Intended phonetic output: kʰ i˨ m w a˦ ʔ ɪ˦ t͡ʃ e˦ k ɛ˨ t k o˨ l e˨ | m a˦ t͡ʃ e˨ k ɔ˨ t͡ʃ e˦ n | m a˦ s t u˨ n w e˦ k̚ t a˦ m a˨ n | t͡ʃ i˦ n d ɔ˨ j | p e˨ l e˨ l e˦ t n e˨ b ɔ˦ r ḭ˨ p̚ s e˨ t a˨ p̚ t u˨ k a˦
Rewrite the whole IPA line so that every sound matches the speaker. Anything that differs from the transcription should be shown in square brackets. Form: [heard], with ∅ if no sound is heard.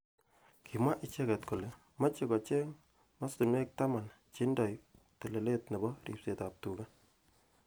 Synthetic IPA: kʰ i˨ m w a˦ ʔ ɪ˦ t͡ʃ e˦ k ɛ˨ t k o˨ l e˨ | m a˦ t͡ʃ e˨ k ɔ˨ t͡ʃ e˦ [ŋ] | m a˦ s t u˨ n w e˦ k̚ t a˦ m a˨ n | t͡ʃ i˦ n d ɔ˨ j | [t] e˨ l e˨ l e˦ t n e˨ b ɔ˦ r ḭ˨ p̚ s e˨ t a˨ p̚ t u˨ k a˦